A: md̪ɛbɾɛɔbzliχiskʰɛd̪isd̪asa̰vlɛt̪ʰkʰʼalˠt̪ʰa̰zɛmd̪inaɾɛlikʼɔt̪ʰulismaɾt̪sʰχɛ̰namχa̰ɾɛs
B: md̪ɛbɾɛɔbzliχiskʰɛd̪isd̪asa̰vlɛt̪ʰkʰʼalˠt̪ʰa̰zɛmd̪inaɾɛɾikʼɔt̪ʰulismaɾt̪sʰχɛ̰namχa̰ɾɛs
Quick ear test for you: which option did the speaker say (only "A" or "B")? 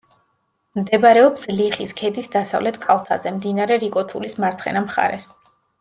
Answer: B